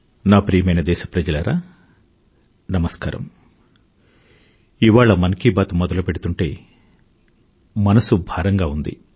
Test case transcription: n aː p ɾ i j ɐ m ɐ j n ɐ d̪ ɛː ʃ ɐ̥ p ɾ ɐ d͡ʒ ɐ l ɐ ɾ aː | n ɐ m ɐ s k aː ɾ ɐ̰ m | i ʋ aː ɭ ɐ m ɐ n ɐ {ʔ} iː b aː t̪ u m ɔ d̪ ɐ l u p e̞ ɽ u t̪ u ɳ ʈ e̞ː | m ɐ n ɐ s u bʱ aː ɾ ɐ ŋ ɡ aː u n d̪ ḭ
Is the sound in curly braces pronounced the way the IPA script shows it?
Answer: no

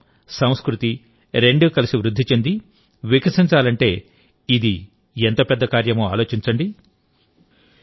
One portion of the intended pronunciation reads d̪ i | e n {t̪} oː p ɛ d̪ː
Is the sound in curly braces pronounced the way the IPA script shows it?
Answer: yes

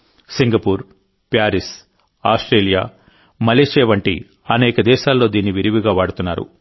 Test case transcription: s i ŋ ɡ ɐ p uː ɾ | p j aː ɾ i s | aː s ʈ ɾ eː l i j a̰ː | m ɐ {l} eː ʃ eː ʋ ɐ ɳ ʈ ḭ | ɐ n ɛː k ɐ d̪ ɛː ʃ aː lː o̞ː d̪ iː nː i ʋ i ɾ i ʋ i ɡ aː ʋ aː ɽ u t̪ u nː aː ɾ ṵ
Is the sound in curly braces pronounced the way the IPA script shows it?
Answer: yes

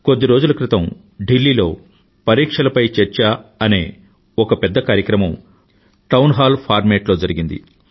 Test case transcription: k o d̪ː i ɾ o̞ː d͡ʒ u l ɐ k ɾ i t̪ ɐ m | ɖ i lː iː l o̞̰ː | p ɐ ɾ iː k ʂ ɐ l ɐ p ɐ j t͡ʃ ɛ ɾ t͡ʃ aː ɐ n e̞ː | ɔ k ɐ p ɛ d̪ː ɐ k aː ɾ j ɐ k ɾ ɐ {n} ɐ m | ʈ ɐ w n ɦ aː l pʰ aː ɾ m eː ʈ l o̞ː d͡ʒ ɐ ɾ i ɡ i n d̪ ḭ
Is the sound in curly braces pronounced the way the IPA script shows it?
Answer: no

